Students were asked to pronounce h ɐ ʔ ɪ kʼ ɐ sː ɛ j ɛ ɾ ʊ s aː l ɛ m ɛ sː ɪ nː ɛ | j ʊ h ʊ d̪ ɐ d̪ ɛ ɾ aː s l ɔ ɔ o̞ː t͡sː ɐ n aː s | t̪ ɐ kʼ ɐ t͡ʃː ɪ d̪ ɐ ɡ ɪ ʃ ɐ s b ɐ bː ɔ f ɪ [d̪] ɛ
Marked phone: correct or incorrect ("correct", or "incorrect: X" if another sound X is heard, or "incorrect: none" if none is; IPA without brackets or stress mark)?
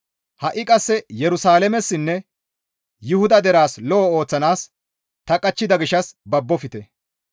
incorrect: t̪